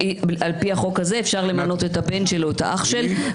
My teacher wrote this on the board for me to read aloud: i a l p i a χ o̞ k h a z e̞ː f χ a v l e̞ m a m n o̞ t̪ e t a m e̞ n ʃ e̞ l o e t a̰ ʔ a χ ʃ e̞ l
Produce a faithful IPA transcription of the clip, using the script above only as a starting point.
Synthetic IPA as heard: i a l p i a χ o̞ k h a z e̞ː f ʃ a ʁ l e̞ m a n o̞ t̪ e t a b e̞ n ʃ e̞ l o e t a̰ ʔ a χ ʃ e̞ l